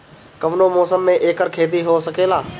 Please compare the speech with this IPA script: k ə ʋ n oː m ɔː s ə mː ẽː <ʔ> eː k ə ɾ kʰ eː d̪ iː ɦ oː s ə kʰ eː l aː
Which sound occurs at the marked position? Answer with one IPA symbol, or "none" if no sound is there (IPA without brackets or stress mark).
ʔ